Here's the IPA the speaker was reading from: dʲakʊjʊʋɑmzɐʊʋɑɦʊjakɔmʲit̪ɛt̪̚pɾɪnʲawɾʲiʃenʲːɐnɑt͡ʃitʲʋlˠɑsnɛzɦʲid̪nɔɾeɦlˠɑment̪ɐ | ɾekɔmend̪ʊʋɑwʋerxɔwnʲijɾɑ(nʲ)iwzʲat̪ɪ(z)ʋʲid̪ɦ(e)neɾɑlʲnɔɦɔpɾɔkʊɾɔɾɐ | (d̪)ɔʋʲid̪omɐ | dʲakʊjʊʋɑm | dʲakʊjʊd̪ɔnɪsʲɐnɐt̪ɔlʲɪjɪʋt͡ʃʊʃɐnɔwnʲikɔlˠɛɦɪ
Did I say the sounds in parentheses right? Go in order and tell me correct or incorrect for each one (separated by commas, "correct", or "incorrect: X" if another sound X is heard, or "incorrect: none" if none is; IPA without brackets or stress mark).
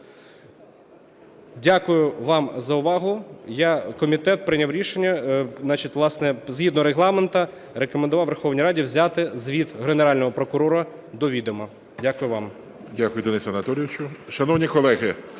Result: incorrect: dʲ, correct, correct, correct